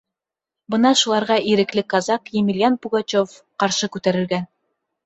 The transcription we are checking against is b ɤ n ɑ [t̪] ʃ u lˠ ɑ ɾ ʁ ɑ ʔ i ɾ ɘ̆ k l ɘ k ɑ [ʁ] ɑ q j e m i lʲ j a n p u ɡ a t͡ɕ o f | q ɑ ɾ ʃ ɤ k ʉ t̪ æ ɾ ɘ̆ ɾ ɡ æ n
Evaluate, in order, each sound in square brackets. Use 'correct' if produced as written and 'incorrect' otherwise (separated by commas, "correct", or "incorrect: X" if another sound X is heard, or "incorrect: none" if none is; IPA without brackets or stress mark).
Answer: incorrect: none, incorrect: z